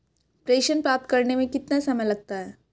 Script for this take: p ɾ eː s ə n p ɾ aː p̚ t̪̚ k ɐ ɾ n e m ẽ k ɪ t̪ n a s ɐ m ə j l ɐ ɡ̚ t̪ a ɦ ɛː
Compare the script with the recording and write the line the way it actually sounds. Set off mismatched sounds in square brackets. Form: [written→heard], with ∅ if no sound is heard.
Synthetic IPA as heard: p ɾ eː [s→ʃ] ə n p ɾ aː p̚ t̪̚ k ɐ ɾ n e m ẽ k ɪ t̪ n a s ɐ m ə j l ɐ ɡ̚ t̪ a ɦ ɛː